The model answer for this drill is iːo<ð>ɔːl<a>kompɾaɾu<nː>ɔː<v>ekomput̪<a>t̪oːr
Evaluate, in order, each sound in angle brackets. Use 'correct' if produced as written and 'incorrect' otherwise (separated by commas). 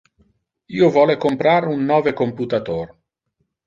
incorrect, incorrect, correct, correct, correct